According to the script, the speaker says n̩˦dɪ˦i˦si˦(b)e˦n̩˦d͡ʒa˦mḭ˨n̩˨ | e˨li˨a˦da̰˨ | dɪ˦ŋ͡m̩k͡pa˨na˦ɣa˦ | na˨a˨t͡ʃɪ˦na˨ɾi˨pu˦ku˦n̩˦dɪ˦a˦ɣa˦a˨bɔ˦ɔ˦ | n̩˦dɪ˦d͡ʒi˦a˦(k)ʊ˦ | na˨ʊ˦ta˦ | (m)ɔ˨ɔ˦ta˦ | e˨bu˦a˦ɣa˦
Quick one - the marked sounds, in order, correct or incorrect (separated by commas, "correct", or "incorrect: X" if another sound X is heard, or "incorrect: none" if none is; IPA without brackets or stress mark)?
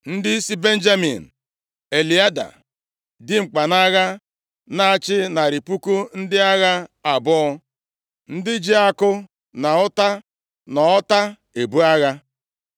correct, correct, incorrect: n